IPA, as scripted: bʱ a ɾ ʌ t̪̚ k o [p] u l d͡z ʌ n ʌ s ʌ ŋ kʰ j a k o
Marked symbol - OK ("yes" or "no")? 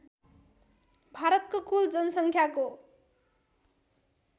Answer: no